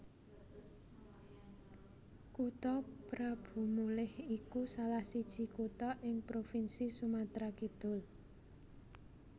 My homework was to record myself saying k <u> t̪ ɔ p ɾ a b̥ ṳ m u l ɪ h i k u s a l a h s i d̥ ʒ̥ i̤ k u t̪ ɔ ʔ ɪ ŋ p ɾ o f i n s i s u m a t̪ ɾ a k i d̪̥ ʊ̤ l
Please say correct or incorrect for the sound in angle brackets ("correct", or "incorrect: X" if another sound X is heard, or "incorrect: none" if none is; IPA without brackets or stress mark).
correct